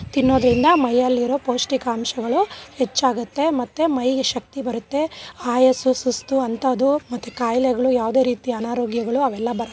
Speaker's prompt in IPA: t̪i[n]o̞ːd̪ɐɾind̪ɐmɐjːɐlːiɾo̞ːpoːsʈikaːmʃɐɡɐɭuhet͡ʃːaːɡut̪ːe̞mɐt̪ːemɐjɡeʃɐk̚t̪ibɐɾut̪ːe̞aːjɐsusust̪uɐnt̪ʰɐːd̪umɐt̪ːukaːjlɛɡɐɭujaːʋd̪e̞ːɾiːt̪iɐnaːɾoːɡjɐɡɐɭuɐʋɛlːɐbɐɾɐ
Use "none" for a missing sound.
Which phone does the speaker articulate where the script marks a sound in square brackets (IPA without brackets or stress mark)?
nː